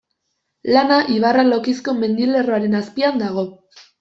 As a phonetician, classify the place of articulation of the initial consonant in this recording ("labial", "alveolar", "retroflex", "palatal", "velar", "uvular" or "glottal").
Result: alveolar